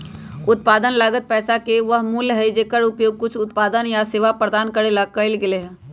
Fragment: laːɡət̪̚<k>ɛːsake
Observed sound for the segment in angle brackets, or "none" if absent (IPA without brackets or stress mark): p